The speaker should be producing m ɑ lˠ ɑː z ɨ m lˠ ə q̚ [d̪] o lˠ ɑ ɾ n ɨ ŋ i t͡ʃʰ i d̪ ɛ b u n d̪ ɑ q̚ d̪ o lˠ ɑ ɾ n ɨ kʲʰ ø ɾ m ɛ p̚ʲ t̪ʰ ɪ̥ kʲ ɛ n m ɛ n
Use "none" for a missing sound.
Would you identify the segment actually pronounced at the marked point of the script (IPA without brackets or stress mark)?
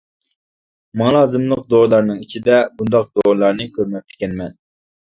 d̪